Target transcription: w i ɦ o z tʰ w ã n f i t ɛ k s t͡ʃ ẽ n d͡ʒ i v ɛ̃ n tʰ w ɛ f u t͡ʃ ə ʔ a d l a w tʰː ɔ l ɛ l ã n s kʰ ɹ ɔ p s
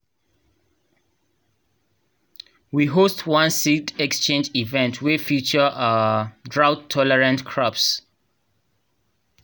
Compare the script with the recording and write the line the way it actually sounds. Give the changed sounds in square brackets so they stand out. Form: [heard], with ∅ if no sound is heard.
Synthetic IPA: w i ɦ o [s] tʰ w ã n [s] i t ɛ k s t͡ʃ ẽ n d͡ʒ i v ɛ̃ n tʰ w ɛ f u t͡ʃ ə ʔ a d [ɹ] a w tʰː ɔ l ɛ [ɹ] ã n [t] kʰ ɹ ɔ p s